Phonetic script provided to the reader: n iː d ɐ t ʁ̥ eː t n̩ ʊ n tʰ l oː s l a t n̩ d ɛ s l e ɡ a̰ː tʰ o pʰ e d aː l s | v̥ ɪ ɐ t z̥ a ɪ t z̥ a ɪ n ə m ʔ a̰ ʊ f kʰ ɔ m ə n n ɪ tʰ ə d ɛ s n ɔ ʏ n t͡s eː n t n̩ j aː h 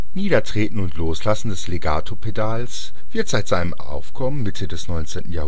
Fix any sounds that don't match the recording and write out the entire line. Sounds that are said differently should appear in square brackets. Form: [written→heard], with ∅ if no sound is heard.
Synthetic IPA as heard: n iː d ɐ t ʁ̥ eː t n̩ ʊ n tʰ l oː s l a [t→s] n̩ d ɛ s l e ɡ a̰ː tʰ o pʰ e d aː l s | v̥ ɪ ɐ t z̥ a ɪ t z̥ a ɪ n ə m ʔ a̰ ʊ f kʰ ɔ m ə n [n→m] ɪ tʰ ə d ɛ s n ɔ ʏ n t͡s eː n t n̩ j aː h